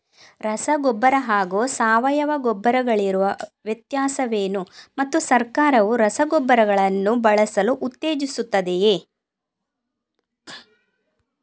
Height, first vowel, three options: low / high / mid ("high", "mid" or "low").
low